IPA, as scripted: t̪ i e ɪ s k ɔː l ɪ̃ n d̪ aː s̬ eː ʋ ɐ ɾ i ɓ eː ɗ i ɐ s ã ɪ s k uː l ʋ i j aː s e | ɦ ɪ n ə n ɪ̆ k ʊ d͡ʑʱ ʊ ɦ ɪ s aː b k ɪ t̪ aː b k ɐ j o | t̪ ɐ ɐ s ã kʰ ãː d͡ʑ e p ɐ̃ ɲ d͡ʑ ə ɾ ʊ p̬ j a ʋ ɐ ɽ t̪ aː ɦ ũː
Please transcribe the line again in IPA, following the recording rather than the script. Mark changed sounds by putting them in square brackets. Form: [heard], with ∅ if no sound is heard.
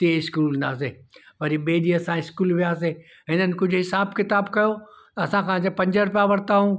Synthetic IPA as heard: t̪ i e ɪ s k [uː] l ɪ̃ n d̪ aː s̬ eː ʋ ɐ ɾ i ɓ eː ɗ i ɐ s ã ɪ s k uː l ʋ i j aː s e | ɦ ɪ n ə n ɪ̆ k ʊ d͡ʑʱ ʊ ɦ ɪ s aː b k ɪ t̪ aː b k ɐ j o | t̪ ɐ ɐ s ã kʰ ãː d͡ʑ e p ɐ̃ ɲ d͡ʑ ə ɾ ʊ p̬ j a ʋ ɐ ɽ t̪ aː ɦ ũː

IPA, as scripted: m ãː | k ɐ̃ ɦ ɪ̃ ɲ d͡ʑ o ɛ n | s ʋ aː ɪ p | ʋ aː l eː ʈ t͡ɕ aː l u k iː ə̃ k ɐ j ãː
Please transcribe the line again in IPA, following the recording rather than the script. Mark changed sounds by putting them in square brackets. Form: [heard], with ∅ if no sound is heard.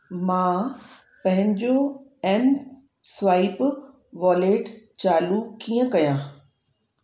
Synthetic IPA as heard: m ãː | [p] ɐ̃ ɦ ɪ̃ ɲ d͡ʑ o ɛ n | s ʋ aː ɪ p | ʋ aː l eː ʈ t͡ɕ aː l u k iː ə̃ k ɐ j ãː

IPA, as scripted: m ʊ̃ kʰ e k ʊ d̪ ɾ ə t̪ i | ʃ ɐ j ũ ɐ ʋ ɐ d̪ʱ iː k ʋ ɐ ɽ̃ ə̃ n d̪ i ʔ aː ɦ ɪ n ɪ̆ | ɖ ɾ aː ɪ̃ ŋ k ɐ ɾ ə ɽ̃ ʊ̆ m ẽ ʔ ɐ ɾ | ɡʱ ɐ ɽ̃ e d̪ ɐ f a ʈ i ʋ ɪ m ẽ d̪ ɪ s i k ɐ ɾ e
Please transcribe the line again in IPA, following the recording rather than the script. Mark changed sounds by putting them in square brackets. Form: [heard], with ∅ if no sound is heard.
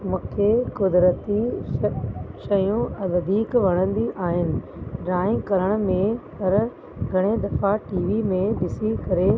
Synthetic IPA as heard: m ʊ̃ kʰ e k ʊ d̪ ɾ ə t̪ i | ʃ ɐ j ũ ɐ ʋ ɐ d̪ʱ iː k ʋ ɐ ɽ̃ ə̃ n d̪ i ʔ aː ɦ ɪ n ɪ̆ | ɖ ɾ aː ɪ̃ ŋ k ɐ ɾ ə ɽ̃ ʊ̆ m ẽ [p] ɐ ɾ | ɡʱ ɐ ɽ̃ e d̪ ɐ f a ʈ [iː] ʋ [i] m ẽ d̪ ɪ s i k ɐ ɾ e

